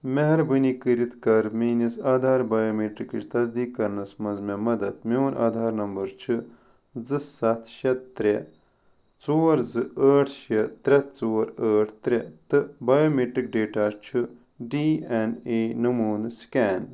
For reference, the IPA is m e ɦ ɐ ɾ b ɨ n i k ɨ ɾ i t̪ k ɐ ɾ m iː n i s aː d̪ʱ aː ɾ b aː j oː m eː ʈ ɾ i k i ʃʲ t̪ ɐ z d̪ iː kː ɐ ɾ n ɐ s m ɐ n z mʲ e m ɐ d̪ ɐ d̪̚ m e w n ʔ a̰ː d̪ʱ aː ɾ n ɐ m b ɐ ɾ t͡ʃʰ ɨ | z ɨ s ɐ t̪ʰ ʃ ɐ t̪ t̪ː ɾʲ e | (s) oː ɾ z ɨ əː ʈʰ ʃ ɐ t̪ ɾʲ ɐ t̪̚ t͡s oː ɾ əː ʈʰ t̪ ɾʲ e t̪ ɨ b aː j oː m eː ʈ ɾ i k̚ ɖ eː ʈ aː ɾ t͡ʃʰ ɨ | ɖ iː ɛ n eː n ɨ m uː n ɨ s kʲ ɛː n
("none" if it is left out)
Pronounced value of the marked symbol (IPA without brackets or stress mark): t͡s